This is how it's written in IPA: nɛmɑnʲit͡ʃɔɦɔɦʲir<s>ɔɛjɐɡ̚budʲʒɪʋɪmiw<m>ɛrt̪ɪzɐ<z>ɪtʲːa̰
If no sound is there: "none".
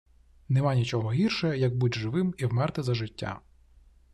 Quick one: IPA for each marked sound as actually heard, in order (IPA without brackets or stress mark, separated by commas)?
ʃ, m, ʒ